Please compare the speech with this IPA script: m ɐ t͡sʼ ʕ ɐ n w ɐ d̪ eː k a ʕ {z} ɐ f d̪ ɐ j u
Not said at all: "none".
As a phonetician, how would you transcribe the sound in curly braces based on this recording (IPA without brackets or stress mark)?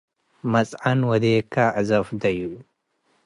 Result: z